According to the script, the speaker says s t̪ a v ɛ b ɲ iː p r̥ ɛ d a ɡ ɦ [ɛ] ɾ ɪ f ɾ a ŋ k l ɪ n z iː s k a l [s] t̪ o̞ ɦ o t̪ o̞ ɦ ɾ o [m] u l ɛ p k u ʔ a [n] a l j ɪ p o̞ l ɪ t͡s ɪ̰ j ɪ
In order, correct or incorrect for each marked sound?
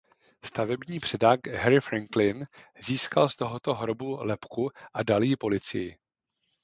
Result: correct, correct, incorrect: b, incorrect: d

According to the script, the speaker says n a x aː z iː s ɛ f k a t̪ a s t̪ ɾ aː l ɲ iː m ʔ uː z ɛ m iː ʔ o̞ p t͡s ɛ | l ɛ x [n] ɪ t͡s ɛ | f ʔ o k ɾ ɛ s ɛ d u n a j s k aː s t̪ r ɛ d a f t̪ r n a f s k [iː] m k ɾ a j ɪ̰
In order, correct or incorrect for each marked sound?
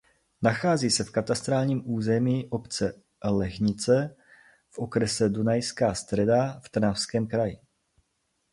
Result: incorrect: ɲ, incorrect: ɛː

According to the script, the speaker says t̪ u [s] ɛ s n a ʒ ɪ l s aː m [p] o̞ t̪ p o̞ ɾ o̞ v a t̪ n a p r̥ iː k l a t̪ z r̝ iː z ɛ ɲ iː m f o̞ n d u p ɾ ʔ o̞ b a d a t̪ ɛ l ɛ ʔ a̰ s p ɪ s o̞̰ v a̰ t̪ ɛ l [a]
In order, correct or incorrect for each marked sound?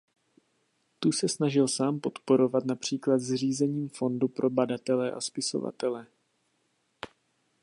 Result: correct, correct, incorrect: ɛ

